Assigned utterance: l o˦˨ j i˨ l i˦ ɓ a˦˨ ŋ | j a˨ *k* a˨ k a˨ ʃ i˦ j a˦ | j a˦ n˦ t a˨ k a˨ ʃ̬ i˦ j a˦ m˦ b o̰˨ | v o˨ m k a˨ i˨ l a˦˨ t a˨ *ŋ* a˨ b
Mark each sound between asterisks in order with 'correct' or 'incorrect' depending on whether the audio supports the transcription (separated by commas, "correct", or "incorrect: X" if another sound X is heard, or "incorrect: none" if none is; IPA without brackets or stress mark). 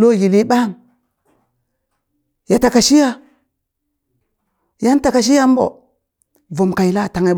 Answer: incorrect: t, correct